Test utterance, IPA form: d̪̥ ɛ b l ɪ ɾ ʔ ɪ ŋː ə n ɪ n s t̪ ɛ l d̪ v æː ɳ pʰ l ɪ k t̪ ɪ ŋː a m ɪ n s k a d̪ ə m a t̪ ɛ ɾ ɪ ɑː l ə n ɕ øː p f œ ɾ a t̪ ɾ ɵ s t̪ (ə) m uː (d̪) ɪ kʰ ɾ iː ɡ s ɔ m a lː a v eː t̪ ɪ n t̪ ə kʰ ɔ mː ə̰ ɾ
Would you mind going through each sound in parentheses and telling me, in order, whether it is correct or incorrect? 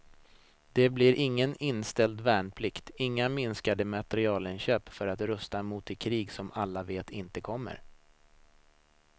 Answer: incorrect: a, incorrect: t̪

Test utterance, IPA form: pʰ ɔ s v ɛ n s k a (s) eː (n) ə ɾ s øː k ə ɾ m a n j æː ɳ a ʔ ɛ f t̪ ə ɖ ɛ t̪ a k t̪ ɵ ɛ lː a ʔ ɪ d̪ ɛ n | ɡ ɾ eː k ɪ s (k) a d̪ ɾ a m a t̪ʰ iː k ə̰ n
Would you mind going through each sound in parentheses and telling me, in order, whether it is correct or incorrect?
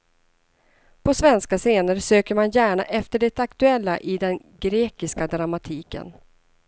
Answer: correct, correct, correct

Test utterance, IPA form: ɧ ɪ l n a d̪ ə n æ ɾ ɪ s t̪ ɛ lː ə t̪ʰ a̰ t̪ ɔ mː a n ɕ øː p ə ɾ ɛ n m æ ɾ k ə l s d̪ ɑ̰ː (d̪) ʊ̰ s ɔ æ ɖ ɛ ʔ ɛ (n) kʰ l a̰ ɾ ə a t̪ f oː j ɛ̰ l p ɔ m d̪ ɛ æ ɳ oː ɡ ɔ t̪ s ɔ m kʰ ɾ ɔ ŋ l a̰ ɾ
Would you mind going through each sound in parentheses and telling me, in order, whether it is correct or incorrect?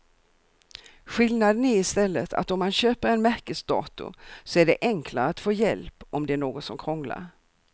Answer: incorrect: t̪, incorrect: ŋ

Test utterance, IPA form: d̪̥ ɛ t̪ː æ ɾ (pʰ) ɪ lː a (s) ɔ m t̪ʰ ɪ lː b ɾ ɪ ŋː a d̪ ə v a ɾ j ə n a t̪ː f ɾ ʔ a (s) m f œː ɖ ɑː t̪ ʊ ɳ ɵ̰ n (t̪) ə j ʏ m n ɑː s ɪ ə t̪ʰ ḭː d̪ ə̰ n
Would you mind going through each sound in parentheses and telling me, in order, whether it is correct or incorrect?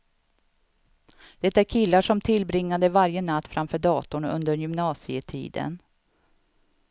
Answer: incorrect: kʰ, incorrect: ʂ, incorrect: none, incorrect: d̪

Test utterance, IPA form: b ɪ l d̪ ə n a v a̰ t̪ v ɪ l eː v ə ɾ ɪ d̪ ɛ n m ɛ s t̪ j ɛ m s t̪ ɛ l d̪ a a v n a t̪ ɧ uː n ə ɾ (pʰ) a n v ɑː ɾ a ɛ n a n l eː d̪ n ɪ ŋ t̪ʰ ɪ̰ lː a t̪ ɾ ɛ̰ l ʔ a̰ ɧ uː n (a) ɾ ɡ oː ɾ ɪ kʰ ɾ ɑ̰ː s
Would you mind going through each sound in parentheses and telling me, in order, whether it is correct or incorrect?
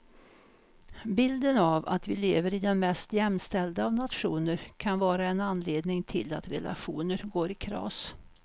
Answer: incorrect: kʰ, incorrect: ə

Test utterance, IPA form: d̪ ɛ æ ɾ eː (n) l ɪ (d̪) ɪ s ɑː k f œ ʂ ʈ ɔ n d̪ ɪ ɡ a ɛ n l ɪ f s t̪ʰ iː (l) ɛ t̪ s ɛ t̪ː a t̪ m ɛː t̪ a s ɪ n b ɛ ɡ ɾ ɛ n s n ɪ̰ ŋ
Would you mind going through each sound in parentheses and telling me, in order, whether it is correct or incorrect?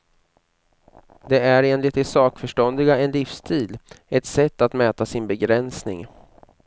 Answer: correct, incorrect: t̪, correct

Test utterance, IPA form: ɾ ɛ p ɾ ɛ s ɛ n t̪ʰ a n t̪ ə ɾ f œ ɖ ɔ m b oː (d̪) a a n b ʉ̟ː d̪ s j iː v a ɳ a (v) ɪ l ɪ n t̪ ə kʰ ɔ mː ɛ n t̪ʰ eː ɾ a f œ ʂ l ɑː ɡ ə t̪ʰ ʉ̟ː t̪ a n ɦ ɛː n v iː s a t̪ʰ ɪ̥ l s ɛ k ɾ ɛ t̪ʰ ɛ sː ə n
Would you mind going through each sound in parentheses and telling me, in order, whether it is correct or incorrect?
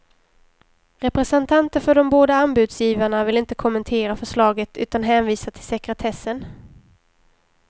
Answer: correct, correct

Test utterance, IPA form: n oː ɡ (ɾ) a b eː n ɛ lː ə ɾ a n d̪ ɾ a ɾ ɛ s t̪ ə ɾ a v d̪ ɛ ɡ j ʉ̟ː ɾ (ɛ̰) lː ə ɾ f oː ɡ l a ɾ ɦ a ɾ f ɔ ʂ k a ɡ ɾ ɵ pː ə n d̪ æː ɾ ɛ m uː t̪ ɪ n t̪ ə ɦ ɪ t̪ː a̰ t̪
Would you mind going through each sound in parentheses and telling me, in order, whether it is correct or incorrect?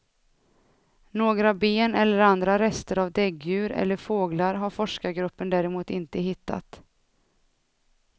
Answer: correct, correct

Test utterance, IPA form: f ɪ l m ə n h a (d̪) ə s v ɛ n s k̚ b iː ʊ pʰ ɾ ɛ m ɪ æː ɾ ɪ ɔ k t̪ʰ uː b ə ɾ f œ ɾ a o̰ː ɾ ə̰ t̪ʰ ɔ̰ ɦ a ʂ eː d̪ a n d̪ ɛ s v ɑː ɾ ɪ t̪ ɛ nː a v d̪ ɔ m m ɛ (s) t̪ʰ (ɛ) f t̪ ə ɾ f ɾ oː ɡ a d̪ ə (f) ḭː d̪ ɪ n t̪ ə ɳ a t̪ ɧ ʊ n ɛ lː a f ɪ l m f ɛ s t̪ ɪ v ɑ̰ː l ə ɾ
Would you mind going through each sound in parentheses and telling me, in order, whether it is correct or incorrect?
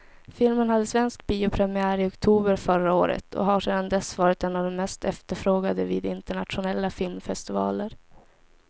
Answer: incorrect: d̪ː, correct, correct, incorrect: v

